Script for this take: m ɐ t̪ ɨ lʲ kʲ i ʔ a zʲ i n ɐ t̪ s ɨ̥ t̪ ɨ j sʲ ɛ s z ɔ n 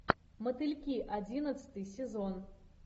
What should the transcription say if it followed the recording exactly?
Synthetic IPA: m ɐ t̪ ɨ lʲ kʲ i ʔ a d͡zʲ i n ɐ t̪ s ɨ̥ t̪ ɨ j sʲ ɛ z ɔ n